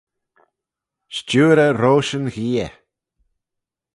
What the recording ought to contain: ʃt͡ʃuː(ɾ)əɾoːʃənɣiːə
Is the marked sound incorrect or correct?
correct